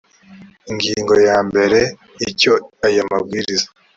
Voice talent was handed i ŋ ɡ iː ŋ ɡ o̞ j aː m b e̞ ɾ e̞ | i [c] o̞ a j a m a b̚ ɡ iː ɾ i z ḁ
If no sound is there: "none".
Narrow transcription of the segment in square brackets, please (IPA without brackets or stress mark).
c